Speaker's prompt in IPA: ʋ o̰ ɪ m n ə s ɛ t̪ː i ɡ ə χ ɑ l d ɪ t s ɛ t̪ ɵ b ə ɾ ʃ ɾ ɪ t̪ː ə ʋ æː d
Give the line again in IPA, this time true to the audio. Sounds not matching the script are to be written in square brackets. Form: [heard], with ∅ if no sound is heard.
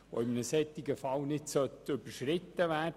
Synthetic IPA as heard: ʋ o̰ ɪ m n ə s ɛ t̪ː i ɡ ə [f] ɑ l [n] ɪ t s [œ] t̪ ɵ b ə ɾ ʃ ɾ ɪ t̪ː ə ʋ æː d